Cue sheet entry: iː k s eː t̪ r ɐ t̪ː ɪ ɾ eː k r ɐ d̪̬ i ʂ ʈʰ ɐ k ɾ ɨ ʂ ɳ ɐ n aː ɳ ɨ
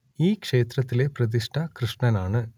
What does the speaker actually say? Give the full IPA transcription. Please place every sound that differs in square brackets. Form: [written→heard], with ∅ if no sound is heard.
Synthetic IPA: iː k [s→ʂ] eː t̪ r ɐ t̪ː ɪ [ɾ→l] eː [k→p] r ɐ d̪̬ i ʂ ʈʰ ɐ k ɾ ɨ ʂ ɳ ɐ n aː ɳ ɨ

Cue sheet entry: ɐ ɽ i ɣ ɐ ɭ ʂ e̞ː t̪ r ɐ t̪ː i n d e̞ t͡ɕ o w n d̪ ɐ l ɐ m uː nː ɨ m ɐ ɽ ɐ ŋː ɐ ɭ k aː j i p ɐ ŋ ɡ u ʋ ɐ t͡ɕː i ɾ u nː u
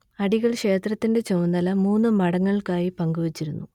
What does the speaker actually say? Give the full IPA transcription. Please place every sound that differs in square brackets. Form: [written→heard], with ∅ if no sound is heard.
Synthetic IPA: ɐ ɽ i ɣ ɐ ɭ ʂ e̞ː t̪ r ɐ t̪ː i n d e̞ t͡ɕ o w n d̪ ɐ l ɐ m uː nː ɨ m ɐ ɽ ɐ ŋː ɐ ɭ k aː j i p ɐ ŋ ɡ u ʋ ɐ t͡ɕː i ɾ u nː u

